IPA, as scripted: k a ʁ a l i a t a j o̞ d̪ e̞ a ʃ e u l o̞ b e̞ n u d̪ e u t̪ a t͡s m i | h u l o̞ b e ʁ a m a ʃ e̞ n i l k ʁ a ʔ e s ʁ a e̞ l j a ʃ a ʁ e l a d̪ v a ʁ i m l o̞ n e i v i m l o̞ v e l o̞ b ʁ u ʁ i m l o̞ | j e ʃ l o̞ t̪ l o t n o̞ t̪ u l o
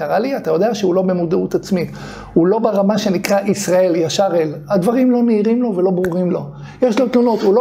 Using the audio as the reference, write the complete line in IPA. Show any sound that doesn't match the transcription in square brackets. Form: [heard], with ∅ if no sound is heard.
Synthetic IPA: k a ʁ a l i a t a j o̞ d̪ e̞ a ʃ e u l o̞ b e̞ [m] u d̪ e u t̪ a t͡s m i | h u l o̞ b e ʁ a m a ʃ e̞ n i [∅] k ʁ a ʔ [i] s ʁ a e̞ l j a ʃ a ʁ e l a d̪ v a ʁ i m l o̞ n e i [ʁ] i m l o̞ v e l o̞ b ʁ u ʁ i m l o̞ | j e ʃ l o̞ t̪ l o [∅] n o̞ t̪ u l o